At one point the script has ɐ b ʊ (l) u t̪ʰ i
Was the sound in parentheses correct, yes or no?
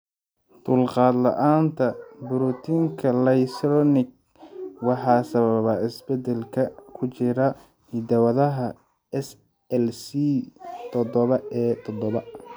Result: no